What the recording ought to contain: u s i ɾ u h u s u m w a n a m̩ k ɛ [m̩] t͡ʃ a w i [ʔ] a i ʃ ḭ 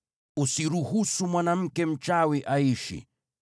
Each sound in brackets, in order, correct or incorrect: correct, correct

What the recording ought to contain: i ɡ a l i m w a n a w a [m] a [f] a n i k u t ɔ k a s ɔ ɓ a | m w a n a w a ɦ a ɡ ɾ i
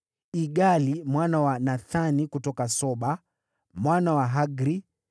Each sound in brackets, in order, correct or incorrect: incorrect, incorrect

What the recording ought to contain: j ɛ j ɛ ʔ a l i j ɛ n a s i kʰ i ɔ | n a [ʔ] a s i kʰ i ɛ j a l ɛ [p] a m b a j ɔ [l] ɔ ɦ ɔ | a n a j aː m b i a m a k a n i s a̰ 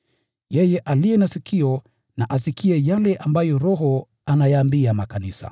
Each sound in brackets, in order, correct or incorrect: correct, incorrect, incorrect

